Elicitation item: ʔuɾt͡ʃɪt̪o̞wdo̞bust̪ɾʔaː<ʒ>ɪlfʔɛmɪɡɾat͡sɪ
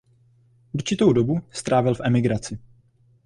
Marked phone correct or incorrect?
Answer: incorrect